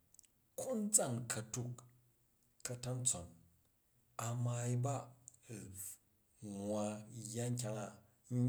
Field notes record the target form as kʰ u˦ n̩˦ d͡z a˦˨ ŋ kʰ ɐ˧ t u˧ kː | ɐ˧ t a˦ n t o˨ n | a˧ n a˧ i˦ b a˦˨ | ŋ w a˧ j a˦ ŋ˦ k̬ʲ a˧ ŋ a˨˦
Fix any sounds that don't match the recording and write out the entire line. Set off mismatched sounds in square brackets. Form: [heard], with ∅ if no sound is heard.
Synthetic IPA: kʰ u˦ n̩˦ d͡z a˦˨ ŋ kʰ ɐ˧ t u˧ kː | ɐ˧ t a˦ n [t͡s] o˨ n | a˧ [m] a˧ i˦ b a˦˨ | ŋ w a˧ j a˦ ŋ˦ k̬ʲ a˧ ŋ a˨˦